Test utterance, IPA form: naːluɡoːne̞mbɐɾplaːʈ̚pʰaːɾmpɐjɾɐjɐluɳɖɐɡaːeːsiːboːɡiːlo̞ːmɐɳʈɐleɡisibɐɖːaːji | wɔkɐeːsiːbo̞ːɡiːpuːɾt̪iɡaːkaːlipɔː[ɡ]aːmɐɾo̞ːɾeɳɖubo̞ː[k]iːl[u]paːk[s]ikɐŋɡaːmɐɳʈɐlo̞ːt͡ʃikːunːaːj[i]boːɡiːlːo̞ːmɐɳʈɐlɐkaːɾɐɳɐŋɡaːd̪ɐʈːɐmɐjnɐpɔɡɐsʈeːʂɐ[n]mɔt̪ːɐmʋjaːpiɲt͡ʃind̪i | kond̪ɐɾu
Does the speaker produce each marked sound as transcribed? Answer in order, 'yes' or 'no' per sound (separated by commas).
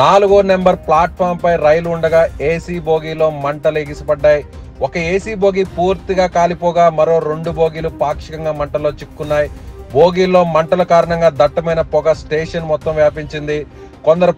yes, no, yes, no, yes, yes